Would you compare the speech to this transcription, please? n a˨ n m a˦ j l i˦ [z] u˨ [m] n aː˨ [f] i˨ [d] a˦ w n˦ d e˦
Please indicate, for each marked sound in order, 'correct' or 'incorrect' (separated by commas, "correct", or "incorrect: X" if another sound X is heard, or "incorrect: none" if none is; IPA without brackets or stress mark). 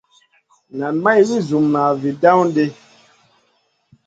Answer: correct, correct, incorrect: v, correct